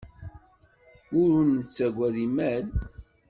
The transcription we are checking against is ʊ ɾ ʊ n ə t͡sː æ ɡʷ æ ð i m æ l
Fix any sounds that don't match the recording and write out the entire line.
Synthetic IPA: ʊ ɾ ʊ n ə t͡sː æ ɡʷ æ ð i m æ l